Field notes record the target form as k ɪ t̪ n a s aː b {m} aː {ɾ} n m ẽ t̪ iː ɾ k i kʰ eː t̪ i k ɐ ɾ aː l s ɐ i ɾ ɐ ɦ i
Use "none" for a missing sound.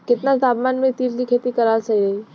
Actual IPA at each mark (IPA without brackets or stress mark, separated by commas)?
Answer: m, none